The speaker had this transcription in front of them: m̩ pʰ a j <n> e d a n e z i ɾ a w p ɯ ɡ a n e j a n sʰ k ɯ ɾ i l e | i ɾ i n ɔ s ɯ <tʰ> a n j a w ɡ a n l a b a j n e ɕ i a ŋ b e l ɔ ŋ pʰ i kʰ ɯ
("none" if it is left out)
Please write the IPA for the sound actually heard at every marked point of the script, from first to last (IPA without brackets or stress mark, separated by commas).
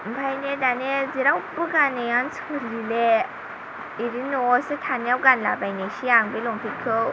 n, tʰ